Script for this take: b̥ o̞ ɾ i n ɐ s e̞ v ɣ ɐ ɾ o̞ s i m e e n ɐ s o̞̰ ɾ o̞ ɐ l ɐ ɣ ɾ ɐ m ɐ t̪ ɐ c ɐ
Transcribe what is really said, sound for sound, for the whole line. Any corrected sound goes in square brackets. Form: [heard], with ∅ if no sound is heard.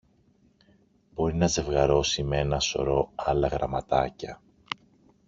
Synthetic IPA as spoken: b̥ o̞ ɾ i n ɐ [z] e̞ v ɣ ɐ ɾ o̞ s i m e e n ɐ s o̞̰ ɾ o̞ ɐ l ɐ ɣ ɾ ɐ m ɐ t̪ ɐ c ɐ